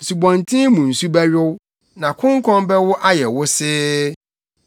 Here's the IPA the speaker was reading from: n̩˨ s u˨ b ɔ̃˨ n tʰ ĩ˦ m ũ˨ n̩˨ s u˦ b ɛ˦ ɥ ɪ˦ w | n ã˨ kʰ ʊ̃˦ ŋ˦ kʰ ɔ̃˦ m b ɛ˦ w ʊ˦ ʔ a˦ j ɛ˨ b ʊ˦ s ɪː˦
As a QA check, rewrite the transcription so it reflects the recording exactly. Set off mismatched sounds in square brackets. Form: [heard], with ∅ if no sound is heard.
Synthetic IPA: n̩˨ s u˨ b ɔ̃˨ n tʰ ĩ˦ m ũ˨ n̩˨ s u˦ b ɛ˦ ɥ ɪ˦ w | n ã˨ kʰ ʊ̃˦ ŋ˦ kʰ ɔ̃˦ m b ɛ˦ w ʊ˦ ʔ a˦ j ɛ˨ [w] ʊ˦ s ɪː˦